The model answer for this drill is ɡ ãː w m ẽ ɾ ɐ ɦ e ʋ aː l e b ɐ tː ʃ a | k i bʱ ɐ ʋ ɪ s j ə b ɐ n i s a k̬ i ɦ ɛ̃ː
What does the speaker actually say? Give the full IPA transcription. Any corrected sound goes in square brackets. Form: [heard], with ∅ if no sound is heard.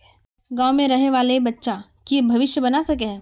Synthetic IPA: ɡ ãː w m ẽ ɾ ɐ ɦ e ʋ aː l e b ɐ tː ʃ a | k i bʱ ɐ ʋ ɪ [ʃ] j ə b ɐ n [a] s [ɐ] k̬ [e] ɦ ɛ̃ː